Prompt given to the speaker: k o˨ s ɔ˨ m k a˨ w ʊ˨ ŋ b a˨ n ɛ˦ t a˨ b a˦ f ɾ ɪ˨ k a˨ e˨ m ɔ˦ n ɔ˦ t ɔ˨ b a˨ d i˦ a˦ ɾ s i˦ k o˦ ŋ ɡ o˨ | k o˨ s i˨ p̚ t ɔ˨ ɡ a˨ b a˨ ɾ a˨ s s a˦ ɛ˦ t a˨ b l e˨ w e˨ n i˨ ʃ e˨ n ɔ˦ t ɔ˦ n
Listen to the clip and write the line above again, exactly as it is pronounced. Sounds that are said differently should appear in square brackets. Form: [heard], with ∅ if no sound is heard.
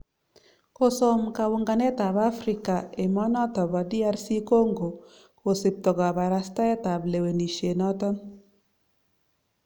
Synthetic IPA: k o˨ s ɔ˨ m k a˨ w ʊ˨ ŋ [ɡ] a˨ n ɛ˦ t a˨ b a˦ f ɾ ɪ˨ k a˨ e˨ m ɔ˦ n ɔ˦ t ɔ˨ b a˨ d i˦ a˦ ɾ s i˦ k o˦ ŋ ɡ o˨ | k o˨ s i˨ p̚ t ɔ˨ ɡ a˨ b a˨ ɾ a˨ s [t] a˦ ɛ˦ t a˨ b l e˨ w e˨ n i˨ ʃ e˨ n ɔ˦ t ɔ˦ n